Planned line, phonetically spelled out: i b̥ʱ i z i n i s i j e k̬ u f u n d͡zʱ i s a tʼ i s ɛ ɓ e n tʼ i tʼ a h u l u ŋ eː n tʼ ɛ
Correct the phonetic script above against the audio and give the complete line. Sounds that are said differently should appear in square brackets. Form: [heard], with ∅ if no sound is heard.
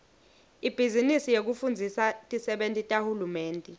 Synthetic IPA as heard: i b̥ʱ i z i n i s i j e k̬ u f u n d͡zʱ i s a tʼ i s ɛ ɓ e n tʼ i tʼ a h u l u [m] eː n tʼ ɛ